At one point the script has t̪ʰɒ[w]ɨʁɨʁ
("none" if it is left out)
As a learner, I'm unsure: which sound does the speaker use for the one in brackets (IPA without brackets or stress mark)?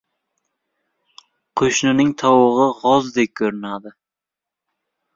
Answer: w